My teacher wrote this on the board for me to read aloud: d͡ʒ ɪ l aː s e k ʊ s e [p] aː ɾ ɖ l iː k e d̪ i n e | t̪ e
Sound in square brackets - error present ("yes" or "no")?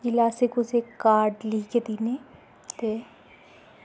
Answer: yes